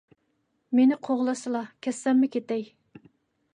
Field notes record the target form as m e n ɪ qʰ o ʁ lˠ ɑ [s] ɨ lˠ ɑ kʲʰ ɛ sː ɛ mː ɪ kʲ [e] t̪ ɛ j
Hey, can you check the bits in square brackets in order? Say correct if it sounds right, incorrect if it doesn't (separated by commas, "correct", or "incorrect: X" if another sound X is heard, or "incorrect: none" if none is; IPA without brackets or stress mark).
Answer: correct, correct